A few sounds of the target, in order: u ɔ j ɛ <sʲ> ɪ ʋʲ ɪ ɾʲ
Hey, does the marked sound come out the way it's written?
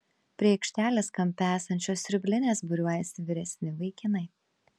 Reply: yes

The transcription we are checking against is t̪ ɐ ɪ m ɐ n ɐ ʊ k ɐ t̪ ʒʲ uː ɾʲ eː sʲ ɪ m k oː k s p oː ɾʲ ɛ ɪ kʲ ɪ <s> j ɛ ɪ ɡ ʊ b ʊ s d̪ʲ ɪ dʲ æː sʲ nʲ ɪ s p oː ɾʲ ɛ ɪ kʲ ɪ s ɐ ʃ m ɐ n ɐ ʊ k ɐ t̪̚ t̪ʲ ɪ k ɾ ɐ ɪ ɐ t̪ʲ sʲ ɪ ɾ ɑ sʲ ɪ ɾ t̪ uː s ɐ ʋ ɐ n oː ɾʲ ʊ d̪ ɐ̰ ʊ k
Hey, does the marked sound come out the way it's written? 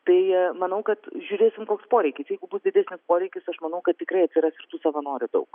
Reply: yes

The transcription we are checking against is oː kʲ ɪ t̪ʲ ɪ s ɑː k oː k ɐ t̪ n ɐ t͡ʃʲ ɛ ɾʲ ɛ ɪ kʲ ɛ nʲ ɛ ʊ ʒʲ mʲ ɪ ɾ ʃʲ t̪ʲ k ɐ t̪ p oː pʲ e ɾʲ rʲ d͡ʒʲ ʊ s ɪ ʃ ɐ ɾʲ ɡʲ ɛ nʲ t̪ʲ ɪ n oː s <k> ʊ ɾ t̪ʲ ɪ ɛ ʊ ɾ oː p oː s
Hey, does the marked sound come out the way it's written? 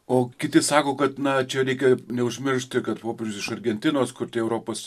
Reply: yes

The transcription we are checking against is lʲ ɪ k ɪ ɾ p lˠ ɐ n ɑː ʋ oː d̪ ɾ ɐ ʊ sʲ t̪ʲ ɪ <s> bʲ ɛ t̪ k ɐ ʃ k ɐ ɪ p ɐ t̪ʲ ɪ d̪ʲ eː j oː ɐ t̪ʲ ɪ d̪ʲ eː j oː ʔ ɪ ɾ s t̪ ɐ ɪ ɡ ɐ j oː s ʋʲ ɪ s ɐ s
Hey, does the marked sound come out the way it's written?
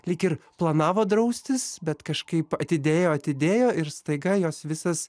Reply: yes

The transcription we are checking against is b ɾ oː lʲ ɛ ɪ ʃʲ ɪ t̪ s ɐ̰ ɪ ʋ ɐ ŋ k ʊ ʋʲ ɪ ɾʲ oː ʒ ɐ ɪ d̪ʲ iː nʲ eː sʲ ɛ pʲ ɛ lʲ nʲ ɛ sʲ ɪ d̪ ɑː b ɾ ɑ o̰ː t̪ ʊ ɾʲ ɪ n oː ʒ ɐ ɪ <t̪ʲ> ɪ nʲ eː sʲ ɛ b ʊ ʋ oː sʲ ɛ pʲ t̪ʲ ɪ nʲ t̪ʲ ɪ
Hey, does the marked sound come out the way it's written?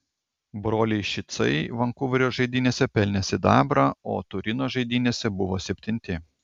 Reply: no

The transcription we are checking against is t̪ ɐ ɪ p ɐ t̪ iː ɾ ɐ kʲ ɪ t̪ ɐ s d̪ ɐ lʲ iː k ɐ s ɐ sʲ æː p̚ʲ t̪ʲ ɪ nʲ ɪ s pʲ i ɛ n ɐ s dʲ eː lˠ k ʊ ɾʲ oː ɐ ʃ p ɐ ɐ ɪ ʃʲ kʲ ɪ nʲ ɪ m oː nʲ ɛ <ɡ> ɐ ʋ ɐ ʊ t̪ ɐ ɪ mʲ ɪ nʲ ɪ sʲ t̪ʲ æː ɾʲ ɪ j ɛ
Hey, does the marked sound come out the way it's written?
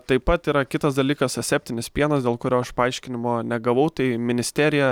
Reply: yes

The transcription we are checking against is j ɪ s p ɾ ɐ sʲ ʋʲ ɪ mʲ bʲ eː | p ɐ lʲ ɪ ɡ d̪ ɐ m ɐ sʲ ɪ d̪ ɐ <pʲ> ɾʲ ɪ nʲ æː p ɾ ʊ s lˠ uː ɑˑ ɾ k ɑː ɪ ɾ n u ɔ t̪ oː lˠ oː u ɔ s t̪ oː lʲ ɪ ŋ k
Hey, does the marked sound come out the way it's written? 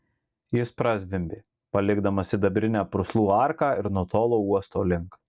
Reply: no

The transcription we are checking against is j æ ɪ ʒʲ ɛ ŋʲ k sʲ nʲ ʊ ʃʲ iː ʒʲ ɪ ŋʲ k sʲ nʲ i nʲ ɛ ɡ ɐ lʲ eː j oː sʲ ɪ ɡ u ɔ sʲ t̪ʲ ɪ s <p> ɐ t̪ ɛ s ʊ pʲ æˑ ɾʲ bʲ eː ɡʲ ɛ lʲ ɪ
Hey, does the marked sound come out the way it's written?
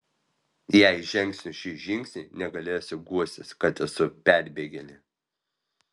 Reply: no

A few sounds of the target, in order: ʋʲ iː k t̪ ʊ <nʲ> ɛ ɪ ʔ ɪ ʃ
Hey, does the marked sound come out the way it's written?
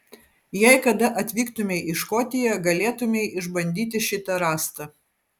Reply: no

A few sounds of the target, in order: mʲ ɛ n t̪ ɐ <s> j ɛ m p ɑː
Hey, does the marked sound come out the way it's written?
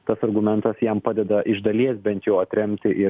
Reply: yes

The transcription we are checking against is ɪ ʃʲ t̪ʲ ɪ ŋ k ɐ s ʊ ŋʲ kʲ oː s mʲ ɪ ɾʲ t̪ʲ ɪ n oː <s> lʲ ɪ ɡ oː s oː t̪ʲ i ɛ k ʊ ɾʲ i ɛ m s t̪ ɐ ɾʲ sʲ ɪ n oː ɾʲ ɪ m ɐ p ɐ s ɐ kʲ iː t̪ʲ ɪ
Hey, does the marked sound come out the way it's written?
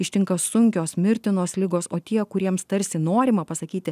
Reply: yes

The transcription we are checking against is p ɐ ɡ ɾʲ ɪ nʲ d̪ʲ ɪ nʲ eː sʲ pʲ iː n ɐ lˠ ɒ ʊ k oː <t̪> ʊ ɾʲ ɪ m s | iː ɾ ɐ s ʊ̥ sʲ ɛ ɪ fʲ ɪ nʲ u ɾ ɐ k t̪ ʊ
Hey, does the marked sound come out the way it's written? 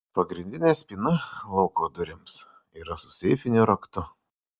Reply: no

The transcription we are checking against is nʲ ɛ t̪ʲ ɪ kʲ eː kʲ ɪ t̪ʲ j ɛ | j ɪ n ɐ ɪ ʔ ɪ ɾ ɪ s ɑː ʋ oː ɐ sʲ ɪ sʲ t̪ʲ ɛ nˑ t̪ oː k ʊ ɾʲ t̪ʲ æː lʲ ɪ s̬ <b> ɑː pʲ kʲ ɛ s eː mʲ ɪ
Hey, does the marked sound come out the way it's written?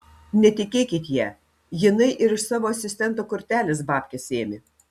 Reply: yes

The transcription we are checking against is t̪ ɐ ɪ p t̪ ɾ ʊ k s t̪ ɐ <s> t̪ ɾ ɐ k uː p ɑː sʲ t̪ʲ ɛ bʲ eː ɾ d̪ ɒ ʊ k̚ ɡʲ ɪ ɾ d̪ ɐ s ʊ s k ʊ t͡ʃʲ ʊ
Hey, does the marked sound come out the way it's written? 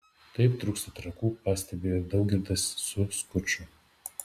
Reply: no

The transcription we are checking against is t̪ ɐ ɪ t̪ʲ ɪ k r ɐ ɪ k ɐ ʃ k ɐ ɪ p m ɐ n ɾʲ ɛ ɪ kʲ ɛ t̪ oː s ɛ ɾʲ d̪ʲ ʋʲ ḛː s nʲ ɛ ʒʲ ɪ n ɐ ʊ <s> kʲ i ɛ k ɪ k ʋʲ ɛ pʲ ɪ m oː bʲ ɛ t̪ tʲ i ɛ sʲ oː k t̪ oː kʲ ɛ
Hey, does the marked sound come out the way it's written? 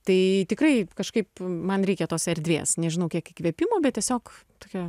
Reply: no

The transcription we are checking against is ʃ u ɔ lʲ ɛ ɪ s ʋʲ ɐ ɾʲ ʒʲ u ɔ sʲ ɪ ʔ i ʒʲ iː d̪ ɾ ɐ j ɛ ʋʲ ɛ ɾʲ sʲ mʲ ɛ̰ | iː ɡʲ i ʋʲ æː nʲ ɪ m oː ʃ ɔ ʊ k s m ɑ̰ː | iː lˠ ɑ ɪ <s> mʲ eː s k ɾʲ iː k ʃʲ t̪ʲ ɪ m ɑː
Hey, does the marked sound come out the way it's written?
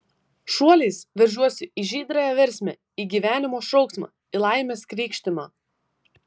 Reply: no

